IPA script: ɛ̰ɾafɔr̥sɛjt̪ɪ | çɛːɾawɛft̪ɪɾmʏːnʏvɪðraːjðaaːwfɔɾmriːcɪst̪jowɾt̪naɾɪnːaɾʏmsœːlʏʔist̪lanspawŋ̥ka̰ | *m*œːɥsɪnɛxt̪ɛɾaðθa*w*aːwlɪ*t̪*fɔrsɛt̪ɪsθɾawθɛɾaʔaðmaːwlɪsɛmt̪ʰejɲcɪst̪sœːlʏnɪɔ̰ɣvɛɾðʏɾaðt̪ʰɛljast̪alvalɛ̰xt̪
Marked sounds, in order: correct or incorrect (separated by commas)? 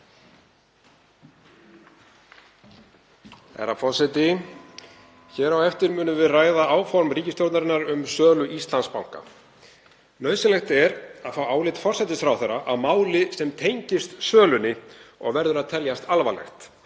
incorrect, correct, correct